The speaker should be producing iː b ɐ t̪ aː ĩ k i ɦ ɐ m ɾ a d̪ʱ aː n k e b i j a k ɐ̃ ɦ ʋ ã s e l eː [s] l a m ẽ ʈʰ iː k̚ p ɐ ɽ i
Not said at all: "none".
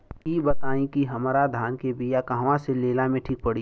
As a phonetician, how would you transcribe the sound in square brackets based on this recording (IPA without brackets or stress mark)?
none